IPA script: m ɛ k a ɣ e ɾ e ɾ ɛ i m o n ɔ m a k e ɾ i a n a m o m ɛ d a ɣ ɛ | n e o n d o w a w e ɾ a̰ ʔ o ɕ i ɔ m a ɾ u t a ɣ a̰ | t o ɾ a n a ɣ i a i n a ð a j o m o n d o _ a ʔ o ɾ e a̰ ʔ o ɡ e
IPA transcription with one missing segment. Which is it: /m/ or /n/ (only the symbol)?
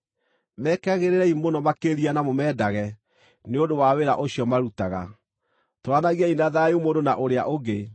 n